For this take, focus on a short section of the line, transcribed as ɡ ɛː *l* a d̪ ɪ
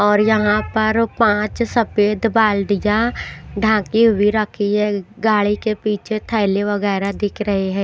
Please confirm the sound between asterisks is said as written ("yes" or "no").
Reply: no